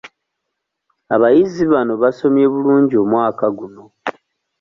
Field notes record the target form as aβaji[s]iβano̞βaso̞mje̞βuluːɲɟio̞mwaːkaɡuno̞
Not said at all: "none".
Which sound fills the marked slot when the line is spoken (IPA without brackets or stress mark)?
z